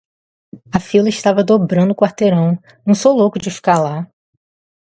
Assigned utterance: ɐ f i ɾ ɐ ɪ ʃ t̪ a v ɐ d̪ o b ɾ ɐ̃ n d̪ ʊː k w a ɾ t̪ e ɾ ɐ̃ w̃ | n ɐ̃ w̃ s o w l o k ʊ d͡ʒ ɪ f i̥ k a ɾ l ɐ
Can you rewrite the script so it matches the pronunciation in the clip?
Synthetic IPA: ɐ f i l ɐ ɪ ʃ t̪ a v ɐ d̪ o b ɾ ɐ̃ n d̪ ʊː k w a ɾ t̪ e ɾ ɐ̃ w̃ | n ɐ̃ w̃ s o w l o k ʊ d͡ʒ ɪ f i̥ k a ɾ l a